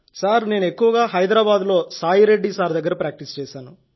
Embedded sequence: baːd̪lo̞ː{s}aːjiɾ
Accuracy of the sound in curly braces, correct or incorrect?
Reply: correct